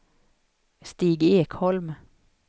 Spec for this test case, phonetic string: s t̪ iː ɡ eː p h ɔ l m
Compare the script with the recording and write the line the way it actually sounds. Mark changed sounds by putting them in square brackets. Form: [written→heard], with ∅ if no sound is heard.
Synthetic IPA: s t̪ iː ɡ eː [p→k] h ɔ l m